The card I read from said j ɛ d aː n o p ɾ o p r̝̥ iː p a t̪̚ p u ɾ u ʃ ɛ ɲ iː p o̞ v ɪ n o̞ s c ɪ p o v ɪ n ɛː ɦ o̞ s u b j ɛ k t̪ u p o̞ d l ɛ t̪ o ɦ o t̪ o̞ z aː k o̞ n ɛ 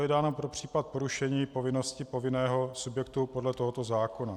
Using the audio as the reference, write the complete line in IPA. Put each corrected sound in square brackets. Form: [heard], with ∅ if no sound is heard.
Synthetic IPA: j ɛ d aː n o p ɾ o p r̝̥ iː p a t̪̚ p [o] ɾ u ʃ ɛ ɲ iː p o̞ v ɪ n o̞ s c ɪ p o v ɪ n ɛː ɦ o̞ s u b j ɛ k t̪ u p o̞ d l ɛ t̪ o ɦ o t̪ o̞ z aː k o̞ n [a]